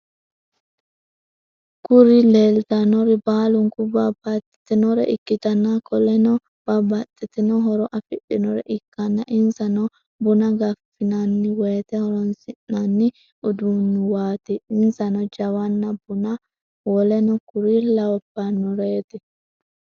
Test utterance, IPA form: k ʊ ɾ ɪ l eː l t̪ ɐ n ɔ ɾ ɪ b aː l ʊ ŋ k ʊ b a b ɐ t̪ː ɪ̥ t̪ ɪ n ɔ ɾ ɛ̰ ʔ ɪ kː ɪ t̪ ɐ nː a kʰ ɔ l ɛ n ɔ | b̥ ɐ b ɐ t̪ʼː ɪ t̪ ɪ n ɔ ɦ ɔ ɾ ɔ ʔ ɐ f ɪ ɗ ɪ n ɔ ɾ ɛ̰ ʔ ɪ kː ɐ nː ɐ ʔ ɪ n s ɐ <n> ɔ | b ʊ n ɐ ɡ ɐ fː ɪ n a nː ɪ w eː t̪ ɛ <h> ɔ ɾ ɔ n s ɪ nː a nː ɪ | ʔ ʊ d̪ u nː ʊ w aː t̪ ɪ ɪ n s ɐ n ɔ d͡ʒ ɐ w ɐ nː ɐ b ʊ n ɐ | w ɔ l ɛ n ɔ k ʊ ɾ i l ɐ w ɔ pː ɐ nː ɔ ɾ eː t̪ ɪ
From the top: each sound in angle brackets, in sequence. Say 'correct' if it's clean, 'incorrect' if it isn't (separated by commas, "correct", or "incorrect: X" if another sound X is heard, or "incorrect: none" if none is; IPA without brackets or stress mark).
correct, correct